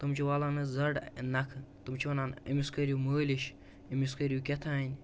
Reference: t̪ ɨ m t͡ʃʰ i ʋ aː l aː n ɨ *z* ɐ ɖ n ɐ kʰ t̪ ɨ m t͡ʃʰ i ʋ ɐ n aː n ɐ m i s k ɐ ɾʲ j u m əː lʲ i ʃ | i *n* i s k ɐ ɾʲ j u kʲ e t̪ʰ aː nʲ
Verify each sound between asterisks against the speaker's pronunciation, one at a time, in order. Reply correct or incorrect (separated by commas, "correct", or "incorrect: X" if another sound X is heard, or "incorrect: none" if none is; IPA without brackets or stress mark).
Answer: correct, incorrect: m